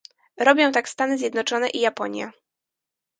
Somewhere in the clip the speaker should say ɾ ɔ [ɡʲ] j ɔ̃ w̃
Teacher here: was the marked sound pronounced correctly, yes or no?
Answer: no